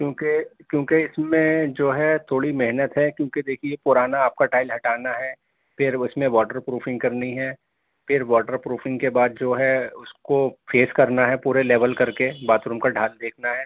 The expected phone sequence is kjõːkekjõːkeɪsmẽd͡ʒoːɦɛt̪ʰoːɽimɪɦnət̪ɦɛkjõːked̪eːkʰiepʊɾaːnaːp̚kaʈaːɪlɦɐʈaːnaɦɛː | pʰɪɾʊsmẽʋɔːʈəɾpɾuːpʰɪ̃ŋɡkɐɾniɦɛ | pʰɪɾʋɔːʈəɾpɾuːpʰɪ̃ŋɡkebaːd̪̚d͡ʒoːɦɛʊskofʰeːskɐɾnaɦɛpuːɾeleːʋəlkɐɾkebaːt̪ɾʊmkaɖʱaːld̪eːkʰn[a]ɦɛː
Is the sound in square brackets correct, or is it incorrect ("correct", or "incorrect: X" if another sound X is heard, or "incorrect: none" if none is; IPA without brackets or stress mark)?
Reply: correct